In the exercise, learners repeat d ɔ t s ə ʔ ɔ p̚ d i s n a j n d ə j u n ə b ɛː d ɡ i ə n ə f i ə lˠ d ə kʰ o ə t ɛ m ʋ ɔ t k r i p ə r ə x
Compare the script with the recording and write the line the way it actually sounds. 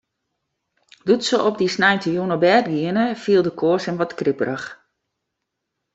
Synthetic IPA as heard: d u t s ə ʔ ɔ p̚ d i s n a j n t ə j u n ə b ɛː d ɡ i ə n ə f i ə lˠ d ə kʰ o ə s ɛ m ʋ ɔ t k r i p ə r ə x

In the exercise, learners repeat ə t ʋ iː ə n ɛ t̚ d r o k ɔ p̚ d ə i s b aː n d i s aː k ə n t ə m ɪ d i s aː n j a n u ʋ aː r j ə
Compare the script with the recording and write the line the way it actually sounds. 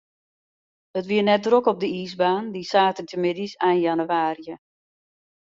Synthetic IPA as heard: ə t ʋ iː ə n ɛ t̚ d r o k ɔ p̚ d ə i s b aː n d i s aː t ə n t ə m ɪ d i s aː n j a n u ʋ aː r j ə

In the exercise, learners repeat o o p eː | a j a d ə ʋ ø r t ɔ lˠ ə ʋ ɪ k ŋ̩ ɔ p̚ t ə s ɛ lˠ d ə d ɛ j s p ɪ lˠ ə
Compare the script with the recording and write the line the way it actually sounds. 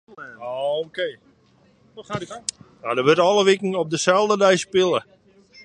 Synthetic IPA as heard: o o k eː | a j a d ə ʋ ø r t ɔ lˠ ə ʋ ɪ k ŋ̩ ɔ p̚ d ə s ɛ lˠ d ə d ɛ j s p ɪ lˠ ə

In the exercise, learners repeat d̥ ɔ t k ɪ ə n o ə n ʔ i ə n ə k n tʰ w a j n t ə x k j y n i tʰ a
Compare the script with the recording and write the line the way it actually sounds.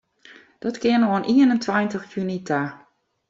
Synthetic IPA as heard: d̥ ɔ t k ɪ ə n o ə n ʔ i ə n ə n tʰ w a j n t ə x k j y n i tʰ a

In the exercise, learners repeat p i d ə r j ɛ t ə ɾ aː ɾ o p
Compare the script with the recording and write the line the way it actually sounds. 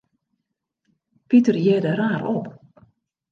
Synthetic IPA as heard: p i t ə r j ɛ d ə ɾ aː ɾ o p

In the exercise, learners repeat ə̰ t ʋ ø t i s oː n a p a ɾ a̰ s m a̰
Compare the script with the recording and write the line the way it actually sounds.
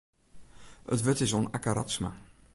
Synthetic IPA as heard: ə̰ t ʋ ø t ɪ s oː n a k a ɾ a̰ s m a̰

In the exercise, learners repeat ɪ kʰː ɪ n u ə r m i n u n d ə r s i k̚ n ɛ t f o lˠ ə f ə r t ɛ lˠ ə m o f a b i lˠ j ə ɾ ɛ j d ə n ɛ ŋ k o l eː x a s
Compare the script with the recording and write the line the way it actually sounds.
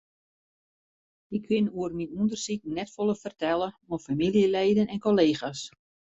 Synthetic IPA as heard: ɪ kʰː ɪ n u ə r m i n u n d ə r s i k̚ n ɛ t f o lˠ ə f ə r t ɛ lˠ ə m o f a m i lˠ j ə l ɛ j d ə n ɛ n k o l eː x a s

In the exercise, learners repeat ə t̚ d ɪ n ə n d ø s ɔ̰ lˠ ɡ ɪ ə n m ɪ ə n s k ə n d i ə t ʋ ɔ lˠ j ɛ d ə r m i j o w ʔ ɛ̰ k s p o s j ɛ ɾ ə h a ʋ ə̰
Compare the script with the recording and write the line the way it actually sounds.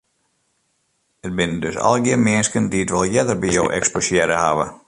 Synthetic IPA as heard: ə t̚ b ɪ n ə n d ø s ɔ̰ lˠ ɡ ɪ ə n m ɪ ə n s k ə n d i ə t ʋ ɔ lˠ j ɛ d ə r b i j o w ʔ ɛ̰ k s p o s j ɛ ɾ ə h a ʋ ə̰

